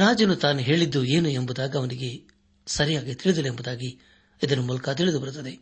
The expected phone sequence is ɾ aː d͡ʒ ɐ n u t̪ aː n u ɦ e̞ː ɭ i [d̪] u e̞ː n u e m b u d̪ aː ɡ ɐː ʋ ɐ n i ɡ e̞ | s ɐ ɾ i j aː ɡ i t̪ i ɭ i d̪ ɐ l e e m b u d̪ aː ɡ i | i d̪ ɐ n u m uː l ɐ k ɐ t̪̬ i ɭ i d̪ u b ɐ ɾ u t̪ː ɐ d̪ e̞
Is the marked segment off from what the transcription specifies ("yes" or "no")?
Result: yes